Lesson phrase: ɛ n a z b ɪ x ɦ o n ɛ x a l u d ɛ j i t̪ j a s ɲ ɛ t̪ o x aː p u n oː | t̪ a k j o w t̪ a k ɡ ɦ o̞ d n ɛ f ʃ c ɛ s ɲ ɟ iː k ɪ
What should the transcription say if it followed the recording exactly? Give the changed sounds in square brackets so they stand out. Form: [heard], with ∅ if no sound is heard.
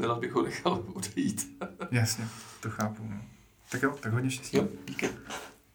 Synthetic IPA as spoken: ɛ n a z b ɪ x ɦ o n ɛ x a l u d ɛ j i t̪ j a s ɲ ɛ t̪ o x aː p u n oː | t̪ a k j o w t̪ a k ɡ ɦ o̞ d [ɲ] ɛ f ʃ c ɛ s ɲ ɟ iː k ɪ